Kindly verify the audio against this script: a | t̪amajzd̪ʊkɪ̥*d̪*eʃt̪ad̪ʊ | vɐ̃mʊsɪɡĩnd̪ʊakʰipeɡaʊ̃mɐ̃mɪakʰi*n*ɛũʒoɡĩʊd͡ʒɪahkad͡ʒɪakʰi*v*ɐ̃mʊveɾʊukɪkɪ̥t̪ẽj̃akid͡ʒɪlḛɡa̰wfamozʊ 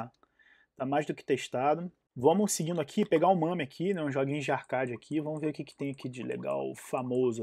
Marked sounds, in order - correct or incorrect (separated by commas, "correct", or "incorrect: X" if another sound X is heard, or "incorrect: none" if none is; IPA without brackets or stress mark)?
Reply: incorrect: t̪, correct, correct